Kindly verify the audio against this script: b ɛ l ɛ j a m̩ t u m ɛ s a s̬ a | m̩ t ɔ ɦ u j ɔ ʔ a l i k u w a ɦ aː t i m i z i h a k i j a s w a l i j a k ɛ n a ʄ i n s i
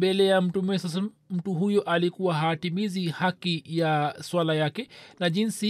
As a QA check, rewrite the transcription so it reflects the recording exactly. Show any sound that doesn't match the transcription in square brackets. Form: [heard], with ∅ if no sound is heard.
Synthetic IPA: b ɛ l ɛ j a m̩ t u m ɛ s a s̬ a | m̩ t [u] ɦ u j ɔ ʔ a l i k u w a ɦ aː t i m i z i h a k i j a s w a l [a] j a k ɛ n a ʄ i n s i